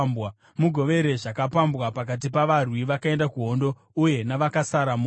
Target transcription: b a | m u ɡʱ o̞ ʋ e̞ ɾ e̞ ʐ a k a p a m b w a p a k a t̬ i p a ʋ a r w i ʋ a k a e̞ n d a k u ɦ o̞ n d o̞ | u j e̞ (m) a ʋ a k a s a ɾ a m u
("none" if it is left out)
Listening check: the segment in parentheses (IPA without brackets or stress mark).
n